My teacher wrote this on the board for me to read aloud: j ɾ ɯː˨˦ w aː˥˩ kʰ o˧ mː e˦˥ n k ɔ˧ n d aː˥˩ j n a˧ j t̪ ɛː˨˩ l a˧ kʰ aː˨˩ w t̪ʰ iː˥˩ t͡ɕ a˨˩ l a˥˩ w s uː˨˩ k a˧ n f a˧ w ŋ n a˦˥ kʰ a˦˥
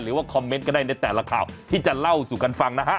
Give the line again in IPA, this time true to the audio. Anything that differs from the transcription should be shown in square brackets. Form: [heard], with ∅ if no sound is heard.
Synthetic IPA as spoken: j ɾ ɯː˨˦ w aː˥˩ kʰ [ɔ˧] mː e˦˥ n k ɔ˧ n d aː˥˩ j n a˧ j t̪ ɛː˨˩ l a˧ kʰ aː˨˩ w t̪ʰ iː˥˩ t͡ɕ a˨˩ l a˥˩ w s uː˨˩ k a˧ n f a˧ [∅] ŋ n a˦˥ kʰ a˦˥